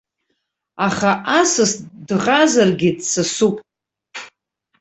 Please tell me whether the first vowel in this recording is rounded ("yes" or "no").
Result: no